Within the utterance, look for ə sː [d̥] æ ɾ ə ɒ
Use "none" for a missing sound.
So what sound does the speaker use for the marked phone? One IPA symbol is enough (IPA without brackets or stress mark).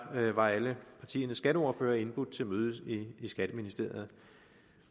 ɡ̥